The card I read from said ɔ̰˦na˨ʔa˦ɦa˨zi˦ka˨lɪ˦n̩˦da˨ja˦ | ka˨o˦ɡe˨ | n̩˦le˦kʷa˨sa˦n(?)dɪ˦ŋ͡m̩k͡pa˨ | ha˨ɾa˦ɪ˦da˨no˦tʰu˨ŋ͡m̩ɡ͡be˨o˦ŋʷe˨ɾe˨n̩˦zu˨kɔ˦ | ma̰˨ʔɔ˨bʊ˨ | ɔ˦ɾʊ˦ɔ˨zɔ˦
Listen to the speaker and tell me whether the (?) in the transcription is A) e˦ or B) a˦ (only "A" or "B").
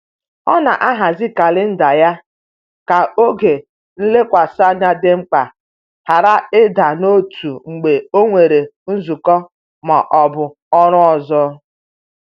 B